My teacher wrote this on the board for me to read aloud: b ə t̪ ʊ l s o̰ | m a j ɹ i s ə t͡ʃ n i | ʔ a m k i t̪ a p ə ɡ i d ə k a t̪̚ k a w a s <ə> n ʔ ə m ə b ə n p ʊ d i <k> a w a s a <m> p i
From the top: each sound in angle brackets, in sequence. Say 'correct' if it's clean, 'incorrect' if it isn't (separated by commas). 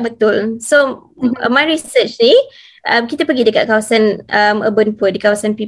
incorrect, correct, incorrect